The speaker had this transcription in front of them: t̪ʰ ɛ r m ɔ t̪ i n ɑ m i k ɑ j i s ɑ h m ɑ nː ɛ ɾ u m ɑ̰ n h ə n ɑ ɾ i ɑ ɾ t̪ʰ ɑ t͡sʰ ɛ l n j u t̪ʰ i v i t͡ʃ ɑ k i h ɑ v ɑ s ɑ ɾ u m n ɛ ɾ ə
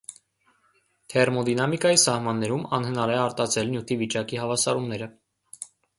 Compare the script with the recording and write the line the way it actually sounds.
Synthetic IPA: t̪ʰ ɛ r m ɔ d̪ i n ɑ m i k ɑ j i s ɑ h m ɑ nː ɛ ɾ u m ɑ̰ n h ə n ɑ ɾ ɛ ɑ ɾ t̪ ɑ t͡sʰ ɛ l n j u t̪ʰ i v i t͡ʃ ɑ k i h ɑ v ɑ s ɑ ɾ u m n ɛ ɾ ə